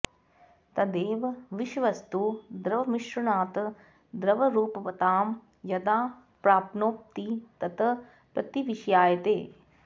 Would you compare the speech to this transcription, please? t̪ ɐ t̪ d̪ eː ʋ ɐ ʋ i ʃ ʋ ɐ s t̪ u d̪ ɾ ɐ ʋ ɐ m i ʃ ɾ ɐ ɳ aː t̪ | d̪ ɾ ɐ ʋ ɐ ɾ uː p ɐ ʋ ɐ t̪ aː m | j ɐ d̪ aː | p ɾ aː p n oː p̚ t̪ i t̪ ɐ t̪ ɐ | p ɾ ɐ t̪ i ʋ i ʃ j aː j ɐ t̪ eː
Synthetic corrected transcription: t̪ ɐ d̪ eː ʋ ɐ ʋ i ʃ ʋ ɐ s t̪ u d̪ ɾ ɐ ʋ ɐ m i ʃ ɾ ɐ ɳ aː t̪ | d̪ ɾ ɐ ʋ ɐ ɾ uː p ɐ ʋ ɐ t̪ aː m | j ɐ d̪ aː | p ɾ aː p n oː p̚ t̪ i t̪ ɐ t̪ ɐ | p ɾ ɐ t̪ i ʋ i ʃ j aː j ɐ t̪ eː